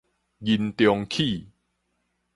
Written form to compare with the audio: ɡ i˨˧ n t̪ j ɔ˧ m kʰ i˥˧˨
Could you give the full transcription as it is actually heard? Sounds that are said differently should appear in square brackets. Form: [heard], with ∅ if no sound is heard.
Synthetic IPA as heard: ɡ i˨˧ n t̪ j ɔ˧ [ŋ] kʰ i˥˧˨